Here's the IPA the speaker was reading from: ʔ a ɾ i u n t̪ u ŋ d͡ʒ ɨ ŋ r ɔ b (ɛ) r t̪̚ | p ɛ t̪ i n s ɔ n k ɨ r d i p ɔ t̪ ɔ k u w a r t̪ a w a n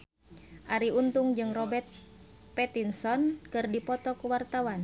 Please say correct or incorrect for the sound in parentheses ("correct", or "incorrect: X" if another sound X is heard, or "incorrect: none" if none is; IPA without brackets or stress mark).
correct